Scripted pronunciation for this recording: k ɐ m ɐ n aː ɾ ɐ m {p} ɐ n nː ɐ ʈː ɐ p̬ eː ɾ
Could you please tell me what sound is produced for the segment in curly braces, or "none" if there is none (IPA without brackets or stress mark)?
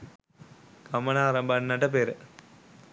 b